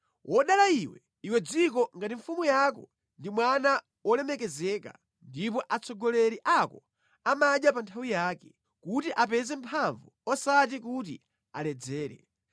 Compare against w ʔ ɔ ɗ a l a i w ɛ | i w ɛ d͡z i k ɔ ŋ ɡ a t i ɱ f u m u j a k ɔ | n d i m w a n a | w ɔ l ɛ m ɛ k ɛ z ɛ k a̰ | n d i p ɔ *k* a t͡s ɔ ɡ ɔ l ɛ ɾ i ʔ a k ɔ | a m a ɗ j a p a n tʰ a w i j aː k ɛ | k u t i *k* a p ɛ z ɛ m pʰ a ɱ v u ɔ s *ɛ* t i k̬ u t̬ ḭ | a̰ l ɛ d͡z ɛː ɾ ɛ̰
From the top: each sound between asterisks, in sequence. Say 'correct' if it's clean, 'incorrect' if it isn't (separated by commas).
incorrect, incorrect, incorrect